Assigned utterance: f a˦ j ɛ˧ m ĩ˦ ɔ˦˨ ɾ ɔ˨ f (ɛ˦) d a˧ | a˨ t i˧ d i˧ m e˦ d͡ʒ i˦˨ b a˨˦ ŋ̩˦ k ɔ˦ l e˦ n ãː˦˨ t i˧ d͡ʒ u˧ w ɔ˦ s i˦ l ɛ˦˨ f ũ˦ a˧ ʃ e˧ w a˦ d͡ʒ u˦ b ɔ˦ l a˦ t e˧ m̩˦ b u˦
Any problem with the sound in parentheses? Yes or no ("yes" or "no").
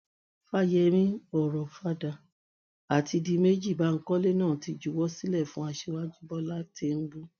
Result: yes